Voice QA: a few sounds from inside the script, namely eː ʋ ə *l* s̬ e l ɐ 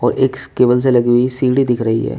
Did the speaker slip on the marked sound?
no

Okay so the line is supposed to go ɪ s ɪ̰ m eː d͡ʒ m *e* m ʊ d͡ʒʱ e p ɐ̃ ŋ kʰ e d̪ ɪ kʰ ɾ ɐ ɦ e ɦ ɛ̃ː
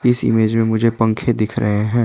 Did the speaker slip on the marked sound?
yes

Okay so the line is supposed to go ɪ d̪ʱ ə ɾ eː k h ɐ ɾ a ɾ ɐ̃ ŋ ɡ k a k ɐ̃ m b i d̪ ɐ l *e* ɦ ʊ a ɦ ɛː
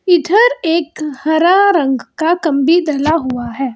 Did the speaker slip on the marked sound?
yes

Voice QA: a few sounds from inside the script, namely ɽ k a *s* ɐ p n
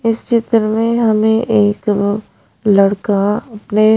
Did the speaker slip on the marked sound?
yes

